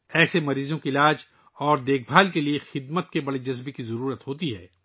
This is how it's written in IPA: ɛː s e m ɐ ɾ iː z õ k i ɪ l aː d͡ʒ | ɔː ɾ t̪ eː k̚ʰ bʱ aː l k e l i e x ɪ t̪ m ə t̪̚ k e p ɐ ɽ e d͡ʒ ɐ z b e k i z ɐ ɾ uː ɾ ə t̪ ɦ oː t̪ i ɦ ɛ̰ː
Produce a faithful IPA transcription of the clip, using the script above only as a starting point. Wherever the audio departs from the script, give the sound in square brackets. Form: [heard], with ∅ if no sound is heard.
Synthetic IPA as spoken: ɛː s e m ɐ ɾ iː z õ k i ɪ l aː d͡ʒ | ɔː ɾ [d̪] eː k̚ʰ bʱ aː l k e l i e x ɪ [d̪] m ə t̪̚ k e [b] ɐ ɽ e d͡ʒ ɐ z b e k i z ɐ ɾ uː ɾ ə t̪ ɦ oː t̪ i ɦ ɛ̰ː

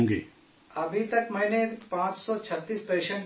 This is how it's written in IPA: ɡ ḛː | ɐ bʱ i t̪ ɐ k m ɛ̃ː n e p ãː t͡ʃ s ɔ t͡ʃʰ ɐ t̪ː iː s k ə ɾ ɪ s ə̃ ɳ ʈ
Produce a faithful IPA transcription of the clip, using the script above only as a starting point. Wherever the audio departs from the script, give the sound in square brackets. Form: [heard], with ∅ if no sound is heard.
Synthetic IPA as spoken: ɡ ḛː | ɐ bʱ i t̪ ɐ k m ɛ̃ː n e p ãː t͡ʃ s ɔ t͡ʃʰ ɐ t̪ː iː s [p] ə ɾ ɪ [ʃ] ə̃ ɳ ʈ

